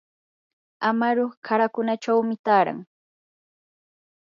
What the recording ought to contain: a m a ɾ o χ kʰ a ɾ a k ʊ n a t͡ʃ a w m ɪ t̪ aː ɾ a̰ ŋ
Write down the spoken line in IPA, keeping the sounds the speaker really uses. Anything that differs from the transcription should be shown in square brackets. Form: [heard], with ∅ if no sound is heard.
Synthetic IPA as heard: a m a ɾ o χ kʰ a ɾ a k ʊ n a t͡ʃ a w m ɪ t̪ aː ɾ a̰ ŋ